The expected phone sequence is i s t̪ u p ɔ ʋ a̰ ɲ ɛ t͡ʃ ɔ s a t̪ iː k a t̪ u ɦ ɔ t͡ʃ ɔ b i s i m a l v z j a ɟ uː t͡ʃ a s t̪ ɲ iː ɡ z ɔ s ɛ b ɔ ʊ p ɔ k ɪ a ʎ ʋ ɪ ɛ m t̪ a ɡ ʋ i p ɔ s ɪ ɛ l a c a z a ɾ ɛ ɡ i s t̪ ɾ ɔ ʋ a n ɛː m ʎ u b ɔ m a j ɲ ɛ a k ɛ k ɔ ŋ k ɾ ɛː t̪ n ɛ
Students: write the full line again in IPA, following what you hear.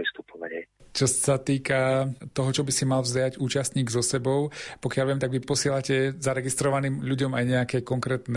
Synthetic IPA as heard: i s t̪ u p ɔ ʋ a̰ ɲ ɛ t͡ʃ ɔ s a t̪ iː k a t̪ ɔ ɦ ɔ t͡ʃ ɔ b i s i m a l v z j a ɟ uː t͡ʃ a s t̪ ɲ iː ɡ z ɔ s ɛ b ɔ ʊ p ɔ k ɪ a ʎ ʋ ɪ ɛ m t̪ a ɡ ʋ i p ɔ s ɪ ɛ l a c ɛ z a ɾ ɛ ɡ i s t̪ ɾ ɔ ʋ a n iː m ʎ u ɟ ɔ m a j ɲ ɛ a k ɛ k ɔ ŋ k ɾ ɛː t̪ n ɛ